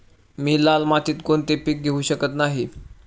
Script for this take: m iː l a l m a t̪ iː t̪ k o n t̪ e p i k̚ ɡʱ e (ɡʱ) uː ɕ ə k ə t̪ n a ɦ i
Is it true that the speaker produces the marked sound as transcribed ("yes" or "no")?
no